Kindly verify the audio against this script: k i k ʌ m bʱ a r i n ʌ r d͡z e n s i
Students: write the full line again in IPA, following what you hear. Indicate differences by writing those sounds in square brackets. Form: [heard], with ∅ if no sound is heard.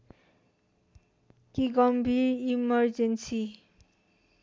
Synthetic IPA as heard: k i [ɡ] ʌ m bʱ [i] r i [m] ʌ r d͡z e n s i